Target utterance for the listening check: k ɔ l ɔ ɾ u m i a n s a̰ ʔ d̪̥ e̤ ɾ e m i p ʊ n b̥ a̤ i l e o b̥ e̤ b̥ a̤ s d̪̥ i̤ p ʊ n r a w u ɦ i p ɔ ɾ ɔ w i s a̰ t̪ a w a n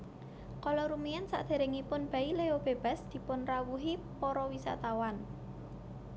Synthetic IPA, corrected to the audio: k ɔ l ɔ ɾ u m i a n s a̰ ʔ d̪̥ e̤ ɾ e ŋ i p ʊ n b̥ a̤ i l e o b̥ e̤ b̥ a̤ s d̪̥ i̤ p ʊ n r a w u ɦ i p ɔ ɾ ɔ w i s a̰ t̪ a w a n